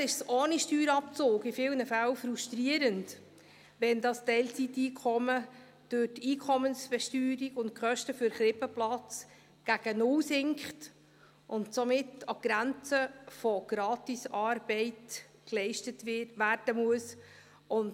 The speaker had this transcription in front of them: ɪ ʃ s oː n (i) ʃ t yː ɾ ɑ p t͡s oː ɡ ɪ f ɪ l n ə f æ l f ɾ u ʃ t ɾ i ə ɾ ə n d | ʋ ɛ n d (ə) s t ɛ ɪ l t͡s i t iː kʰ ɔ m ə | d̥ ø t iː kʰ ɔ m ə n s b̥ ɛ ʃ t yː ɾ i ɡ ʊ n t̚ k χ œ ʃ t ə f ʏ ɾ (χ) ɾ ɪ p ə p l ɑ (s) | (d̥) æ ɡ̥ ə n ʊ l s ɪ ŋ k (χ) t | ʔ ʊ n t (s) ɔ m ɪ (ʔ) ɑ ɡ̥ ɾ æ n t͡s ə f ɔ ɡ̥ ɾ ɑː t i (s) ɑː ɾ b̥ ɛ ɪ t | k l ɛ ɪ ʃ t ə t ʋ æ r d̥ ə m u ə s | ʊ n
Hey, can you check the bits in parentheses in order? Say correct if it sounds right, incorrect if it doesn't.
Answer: correct, incorrect: ɑ, correct, incorrect: t͡s, incorrect: ɡ̥, correct, correct, incorrect: t, correct

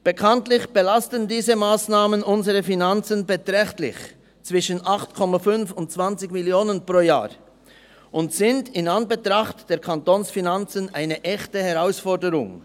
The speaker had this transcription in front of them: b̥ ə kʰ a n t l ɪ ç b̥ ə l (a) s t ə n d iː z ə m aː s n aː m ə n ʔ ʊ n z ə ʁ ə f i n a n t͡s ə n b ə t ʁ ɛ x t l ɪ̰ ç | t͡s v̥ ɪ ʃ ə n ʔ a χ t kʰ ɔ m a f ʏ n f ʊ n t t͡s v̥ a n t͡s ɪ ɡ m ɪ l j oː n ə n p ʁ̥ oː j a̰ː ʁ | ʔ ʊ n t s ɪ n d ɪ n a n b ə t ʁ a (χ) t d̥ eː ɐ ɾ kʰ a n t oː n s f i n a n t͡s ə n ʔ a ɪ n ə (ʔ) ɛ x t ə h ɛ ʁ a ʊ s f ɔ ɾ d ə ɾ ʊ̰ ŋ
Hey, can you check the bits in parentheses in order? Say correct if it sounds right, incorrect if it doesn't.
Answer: correct, correct, correct

